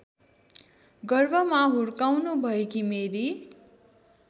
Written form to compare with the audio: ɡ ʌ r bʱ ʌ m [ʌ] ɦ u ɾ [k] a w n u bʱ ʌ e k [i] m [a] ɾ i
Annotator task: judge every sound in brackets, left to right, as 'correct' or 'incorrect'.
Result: incorrect: a, correct, correct, incorrect: e

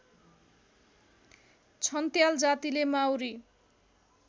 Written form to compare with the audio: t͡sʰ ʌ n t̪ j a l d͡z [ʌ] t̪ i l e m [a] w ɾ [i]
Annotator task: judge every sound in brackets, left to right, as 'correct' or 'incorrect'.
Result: incorrect: a, correct, correct

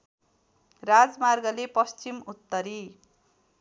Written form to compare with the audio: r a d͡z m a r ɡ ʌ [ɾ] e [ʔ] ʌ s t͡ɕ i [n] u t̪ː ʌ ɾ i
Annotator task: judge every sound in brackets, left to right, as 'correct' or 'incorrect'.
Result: incorrect: l, incorrect: p, incorrect: m

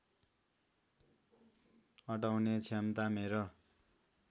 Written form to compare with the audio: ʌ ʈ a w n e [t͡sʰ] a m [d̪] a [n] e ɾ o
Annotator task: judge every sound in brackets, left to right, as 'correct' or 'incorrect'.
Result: correct, incorrect: t̪, incorrect: m

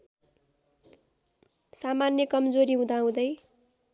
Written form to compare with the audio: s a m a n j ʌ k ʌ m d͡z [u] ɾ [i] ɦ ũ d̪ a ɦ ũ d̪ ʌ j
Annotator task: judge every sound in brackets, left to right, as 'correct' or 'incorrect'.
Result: incorrect: o, correct

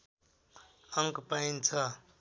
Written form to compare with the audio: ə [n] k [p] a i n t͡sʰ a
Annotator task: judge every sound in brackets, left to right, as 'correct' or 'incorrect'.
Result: incorrect: ŋ, correct

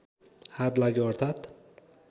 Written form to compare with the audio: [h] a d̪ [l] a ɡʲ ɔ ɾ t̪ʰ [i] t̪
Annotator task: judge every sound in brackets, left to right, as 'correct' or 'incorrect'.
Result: correct, correct, incorrect: a

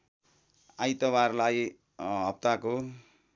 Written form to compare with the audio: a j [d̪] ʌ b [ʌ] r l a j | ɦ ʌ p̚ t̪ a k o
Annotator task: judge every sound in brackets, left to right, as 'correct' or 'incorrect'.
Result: incorrect: t̪, incorrect: a

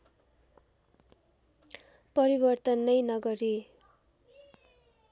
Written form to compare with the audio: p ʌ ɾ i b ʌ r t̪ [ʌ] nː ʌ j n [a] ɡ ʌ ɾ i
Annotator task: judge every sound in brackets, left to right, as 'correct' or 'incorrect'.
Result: correct, incorrect: ʌ

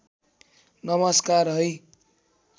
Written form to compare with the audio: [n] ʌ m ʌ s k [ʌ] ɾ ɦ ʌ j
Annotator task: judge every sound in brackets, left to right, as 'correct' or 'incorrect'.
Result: correct, incorrect: a

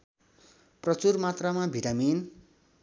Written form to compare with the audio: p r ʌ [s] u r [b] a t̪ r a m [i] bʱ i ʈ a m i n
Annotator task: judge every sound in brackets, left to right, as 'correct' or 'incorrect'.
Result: incorrect: t͡s, incorrect: m, incorrect: a

